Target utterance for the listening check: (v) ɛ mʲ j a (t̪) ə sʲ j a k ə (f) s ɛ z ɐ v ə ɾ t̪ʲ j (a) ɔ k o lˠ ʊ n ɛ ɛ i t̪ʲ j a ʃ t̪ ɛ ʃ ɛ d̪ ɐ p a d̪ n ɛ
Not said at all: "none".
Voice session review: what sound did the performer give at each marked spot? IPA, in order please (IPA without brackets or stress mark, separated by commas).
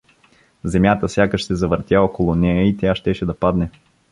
z, t̪, ʃ, a